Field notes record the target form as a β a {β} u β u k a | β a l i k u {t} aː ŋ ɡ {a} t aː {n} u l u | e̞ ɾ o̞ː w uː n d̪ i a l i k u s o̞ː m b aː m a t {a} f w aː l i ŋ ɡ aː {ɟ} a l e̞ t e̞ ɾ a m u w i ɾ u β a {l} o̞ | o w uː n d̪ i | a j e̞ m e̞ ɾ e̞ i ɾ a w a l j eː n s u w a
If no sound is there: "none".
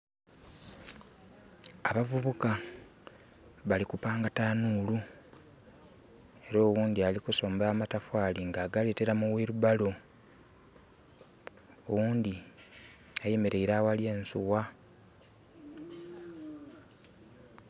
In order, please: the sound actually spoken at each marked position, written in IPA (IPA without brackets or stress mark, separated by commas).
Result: v, p, a, n, a, ɡ, l